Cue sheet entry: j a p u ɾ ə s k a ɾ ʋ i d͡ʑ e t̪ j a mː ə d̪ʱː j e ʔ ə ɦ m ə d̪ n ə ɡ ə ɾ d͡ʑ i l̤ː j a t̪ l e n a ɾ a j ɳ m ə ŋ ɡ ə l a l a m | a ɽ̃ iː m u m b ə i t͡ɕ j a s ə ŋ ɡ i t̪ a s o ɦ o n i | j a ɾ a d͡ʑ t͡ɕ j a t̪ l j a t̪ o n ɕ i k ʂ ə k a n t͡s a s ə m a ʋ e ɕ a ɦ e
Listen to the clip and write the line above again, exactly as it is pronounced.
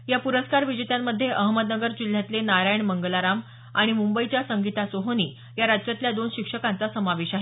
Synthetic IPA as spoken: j a p u ɾ ə s k a ɾ ʋ i d͡ʑ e t̪ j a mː ə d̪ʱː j e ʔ ə ɦ m ə d̪ n ə ɡ ə ɾ d͡ʑ i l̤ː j a t̪ l e n a ɾ a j ɳ m ə ŋ ɡ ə l a ɾ a m | a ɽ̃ i m u m b ə i t͡ɕ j a s ə ŋ ɡ i t̪ a s o ɦ o n i | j a ɾ a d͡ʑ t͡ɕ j a t̪ l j a d̪ o n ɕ i k ʂ ə k a n t͡s a s ə m a ʋ e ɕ a ɦ e